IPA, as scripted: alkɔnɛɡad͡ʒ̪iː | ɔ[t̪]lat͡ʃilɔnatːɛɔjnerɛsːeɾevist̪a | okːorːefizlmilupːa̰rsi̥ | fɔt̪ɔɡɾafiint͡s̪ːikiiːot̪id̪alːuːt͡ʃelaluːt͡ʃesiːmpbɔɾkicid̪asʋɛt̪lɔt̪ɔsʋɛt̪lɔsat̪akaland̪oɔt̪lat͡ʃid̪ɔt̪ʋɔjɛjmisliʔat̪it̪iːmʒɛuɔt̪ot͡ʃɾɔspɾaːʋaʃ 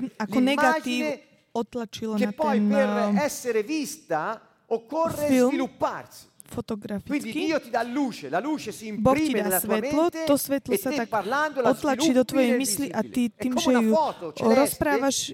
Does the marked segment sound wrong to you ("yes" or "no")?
no